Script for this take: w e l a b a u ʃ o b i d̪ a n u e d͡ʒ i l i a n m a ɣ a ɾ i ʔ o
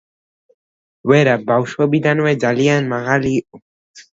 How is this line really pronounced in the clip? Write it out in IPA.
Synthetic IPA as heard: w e ɾ a b a w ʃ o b i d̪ a n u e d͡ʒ a l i a n m a ɣ a l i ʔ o

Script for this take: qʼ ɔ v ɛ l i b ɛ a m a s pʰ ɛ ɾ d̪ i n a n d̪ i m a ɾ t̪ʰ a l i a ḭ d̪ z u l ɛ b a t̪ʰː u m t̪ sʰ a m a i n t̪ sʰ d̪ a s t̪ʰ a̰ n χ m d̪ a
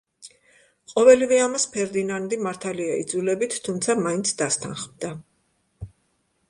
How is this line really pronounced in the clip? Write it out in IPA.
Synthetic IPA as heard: qʼ ɔ v ɛ l i v ɛ a m a s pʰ ɛ ɾ d̪ i n a n d̪ i m a ɾ t̪ʰ a l i a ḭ d̪ z u l ɛ b i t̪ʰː u m t̪ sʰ a m a i n t̪ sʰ d̪ a s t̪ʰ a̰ n χ m d̪ a

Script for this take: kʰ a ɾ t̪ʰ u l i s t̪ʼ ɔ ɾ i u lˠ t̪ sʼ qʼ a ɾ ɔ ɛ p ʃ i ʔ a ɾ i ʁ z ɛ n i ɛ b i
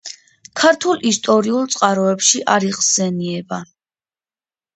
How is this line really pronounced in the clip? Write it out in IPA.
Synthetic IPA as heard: kʰ a ɾ t̪ʰ u l i s t̪ʼ ɔ ɾ i u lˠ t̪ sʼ qʼ a ɾ ɔ ɛ p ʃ i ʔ a ɾ i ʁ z ɛ n i ɛ b a

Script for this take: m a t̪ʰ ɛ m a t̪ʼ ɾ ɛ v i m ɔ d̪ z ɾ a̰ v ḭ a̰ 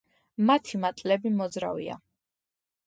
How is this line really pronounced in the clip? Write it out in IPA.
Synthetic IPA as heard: m a t̪ʰ i m a t̪ʼ l ɛ b i m ɔ d̪ z ɾ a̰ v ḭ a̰

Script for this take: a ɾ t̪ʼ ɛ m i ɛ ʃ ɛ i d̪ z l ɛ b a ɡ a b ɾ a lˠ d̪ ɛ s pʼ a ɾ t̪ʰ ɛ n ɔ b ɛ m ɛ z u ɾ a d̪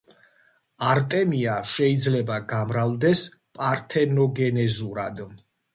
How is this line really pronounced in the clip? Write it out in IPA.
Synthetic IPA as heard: a ɾ t̪ʼ ɛ m i a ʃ ɛ i d̪ z l ɛ b a ɡ a m ɾ a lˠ d̪ ɛ s pʼ a ɾ t̪ʰ ɛ n ɔ ɡ ɛ n ɛ z u ɾ a d̪

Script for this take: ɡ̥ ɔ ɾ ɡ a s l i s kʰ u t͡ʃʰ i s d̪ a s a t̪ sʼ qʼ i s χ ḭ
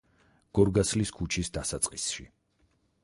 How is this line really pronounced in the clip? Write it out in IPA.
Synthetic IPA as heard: ɡ̥ ɔ ɾ ɡ a s l i s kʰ u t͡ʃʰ i s d̪ a s a t̪ sʼ qʼ i s ʃ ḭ

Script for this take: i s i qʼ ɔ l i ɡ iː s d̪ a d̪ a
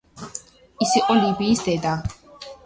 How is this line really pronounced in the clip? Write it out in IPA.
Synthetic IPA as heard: i s i qʼ ɔ l i b iː s d̪ ɛ d̪ a

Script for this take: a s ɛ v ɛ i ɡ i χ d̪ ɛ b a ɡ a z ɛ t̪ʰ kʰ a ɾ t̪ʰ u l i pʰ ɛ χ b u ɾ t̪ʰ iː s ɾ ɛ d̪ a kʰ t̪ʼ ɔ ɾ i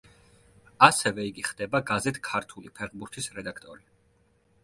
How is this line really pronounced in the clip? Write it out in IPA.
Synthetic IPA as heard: a s ɛ v ɛ i ɡ i χ d̪ ɛ b a ɡ a z ɛ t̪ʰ kʰ a ɾ t̪ʰ u l i pʰ ɛ ʁ b u ɾ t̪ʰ i s ɾ ɛ d̪ a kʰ t̪ʼ ɔ ɾ i

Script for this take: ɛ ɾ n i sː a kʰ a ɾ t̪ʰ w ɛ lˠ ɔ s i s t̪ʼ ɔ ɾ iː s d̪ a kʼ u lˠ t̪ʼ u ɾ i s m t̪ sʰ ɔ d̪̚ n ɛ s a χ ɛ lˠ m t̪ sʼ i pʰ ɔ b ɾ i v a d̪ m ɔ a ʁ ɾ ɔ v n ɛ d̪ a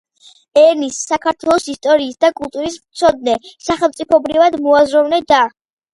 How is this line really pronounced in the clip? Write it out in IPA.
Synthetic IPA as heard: ɛ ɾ n i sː a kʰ a ɾ t̪ʰ w ɛ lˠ ɔ s i s t̪ʼ ɔ ɾ iː s d̪ a kʼ u lˠ t̪ʼ u ɾ i s m t̪ sʰ ɔ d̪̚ n ɛ s a χ ɛ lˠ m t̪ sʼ i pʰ ɔ b ɾ i v a d̪ m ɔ a z ɾ ɔ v n ɛ d̪ a

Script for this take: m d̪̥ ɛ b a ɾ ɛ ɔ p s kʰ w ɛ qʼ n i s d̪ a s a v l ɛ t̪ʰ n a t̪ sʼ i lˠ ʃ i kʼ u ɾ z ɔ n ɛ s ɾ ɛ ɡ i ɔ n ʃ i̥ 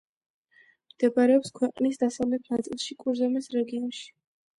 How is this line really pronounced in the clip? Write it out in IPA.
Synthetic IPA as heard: m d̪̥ ɛ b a ɾ ɛ ɔ p s kʰ w ɛ qʼ n i s d̪ a s a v l ɛ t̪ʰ n a t̪ sʼ i lˠ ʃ i kʼ u ɾ z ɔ m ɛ s ɾ ɛ ɡ i ɔ n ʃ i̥

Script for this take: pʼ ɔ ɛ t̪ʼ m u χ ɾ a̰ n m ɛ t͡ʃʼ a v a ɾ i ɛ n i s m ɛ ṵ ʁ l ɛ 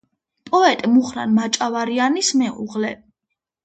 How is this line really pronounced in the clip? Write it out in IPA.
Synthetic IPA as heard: pʼ ɔ ɛ t̪ʼ m u χ ɾ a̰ n m a t͡ʃʼ a v a ɾ i a n i s m ɛ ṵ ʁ l ɛ

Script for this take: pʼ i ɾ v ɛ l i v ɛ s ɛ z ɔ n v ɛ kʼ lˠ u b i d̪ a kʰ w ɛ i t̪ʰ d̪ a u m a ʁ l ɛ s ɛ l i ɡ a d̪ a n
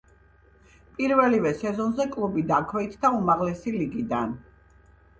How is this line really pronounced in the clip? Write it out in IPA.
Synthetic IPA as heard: pʼ i ɾ v ɛ l i v ɛ s ɛ z ɔ n z ɛ kʼ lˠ u b i d̪ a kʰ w ɛ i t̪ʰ d̪ a u m a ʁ l ɛ s i l i ɡ i d̪ a n

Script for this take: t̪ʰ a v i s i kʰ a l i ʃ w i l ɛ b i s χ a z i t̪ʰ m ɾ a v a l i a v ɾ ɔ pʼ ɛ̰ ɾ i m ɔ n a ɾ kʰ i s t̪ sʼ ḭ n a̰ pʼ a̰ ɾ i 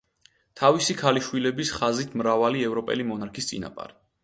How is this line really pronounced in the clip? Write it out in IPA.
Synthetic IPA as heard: t̪ʰ a v i s i kʰ a l i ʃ w i l ɛ b i s χ a z i t̪ʰ m ɾ a v a l i ɛ v ɾ ɔ pʼ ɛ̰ l i m ɔ n a ɾ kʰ i s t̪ sʼ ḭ n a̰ pʼ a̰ ɾ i

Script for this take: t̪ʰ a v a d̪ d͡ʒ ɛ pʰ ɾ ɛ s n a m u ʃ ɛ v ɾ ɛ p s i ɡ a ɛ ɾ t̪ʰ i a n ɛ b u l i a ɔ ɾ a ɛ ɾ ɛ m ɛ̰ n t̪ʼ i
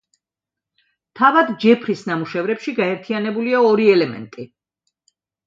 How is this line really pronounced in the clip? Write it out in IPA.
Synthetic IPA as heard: t̪ʰ a v a d̪ d͡ʒ ɛ pʰ ɾ i s n a m u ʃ ɛ v ɾ ɛ p ʃ i ɡ a ɛ ɾ t̪ʰ i a n ɛ b u l i a ɔ ɾ i ɛ l ɛ m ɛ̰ n t̪ʼ i

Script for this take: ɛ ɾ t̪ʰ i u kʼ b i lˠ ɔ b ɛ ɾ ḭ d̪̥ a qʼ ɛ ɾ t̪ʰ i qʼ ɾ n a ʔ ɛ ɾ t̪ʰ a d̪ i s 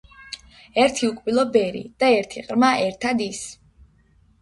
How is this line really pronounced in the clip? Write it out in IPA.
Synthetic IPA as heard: ɛ ɾ t̪ʰ i u kʼ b i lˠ ɔ b ɛ ɾ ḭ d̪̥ a ɛ ɾ t̪ʰ i qʼ ɾ m a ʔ ɛ ɾ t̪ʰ a d̪ i s

